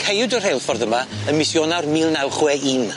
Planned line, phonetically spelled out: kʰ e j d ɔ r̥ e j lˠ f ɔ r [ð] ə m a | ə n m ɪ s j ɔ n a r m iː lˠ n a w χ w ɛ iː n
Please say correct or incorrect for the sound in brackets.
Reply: correct